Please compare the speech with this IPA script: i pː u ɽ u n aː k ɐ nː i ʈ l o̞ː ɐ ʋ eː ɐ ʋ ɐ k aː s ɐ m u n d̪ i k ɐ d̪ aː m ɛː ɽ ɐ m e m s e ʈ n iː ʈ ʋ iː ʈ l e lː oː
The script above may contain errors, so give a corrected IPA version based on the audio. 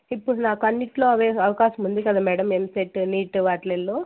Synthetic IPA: i pː u ɽ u n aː k ɐ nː i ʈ l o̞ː ɐ ʋ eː ɐ ʋ ɐ k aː ʃ ɐ m u n d̪ i k ɐ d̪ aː m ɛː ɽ ɐ m e m s e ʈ n iː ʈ ʋ aː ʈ l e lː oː